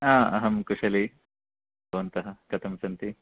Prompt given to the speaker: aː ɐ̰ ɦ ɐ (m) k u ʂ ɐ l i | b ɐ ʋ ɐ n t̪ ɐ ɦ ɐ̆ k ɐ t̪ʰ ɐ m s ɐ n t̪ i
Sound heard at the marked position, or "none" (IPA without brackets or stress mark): m